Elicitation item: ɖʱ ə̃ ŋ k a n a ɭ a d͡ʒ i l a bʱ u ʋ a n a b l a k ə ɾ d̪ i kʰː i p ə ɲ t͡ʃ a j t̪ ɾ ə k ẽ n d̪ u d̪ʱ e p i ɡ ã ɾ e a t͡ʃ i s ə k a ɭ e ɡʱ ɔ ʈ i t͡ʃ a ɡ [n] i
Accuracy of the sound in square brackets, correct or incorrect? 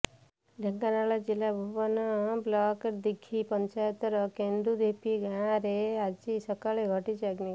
correct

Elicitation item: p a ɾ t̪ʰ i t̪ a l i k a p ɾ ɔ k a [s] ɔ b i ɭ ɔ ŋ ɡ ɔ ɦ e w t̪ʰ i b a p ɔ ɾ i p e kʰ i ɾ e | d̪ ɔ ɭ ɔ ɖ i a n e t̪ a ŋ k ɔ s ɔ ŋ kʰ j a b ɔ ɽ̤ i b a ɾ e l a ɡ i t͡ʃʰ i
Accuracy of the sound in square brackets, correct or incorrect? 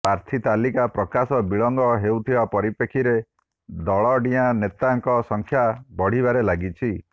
correct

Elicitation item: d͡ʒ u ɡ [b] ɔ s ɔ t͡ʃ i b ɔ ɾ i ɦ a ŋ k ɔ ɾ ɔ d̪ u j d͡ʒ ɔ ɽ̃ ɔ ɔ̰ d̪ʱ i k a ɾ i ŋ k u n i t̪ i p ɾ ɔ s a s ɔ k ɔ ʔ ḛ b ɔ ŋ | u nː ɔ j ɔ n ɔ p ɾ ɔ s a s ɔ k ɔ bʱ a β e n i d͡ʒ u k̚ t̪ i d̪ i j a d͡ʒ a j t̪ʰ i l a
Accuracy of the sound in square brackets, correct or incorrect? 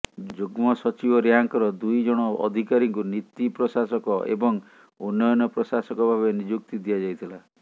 incorrect: m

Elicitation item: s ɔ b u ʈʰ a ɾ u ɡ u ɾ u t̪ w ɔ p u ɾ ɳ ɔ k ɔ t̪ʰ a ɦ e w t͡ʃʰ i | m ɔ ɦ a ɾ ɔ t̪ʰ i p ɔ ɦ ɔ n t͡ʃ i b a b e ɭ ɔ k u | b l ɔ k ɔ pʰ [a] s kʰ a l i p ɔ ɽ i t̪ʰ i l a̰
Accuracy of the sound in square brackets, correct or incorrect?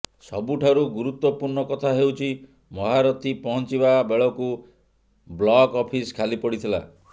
incorrect: i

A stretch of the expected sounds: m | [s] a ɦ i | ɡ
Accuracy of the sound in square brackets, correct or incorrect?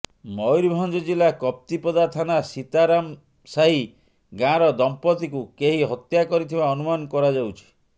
correct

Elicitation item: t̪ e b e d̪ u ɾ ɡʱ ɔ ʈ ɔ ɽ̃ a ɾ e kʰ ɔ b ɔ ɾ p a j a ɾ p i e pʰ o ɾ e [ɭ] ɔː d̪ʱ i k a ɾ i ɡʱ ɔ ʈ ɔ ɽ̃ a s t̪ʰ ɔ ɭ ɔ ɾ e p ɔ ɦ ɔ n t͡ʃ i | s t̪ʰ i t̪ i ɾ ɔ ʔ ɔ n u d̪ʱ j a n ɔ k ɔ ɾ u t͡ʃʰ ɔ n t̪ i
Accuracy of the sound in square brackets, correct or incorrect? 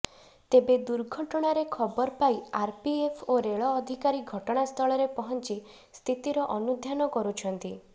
correct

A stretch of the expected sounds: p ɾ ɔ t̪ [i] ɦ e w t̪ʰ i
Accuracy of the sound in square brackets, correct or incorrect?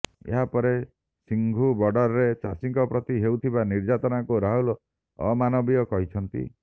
correct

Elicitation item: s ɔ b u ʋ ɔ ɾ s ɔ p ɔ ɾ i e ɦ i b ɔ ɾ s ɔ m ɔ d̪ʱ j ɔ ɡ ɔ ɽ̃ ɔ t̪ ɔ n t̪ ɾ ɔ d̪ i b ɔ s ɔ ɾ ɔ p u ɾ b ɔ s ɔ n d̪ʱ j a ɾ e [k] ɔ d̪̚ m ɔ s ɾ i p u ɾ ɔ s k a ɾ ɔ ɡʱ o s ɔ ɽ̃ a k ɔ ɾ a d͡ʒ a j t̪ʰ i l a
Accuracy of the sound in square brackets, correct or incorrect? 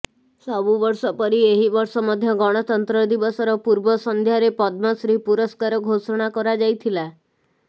incorrect: p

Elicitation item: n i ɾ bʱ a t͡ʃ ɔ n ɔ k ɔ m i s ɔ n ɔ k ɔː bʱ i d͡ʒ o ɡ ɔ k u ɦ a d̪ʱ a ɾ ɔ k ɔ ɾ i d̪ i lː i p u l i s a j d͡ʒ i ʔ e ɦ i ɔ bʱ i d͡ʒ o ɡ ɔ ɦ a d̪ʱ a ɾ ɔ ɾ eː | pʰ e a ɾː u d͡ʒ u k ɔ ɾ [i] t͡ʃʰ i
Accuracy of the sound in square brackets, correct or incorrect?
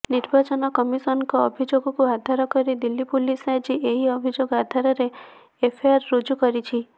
correct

